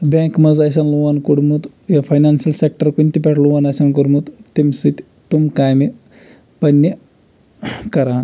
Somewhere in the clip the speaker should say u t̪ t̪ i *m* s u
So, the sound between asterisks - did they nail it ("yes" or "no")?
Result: yes